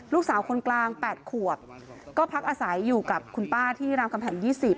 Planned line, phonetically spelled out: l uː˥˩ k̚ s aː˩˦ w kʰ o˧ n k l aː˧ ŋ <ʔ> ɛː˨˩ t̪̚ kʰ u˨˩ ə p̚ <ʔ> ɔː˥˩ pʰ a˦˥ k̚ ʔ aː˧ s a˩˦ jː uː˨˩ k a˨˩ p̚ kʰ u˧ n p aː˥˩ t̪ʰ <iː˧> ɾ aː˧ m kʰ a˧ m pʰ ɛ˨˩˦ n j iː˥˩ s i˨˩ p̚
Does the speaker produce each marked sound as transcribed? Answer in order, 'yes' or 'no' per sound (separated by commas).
no, no, no